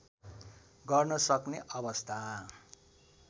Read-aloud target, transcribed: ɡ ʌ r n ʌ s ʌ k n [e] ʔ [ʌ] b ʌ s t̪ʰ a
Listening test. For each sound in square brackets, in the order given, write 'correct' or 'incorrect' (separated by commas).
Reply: correct, correct